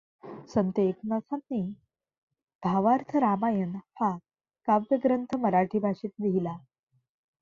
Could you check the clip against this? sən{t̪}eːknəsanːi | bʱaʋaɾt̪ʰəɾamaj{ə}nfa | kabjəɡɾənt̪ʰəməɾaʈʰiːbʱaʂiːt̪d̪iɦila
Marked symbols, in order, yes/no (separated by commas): yes, yes